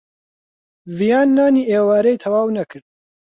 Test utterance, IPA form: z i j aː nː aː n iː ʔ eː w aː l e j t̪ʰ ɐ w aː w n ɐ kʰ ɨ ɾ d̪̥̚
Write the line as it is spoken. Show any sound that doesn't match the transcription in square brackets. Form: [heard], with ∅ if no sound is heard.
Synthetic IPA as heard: [v] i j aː nː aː n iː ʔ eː w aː [ɾ] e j t̪ʰ ɐ w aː w n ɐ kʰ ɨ ɾ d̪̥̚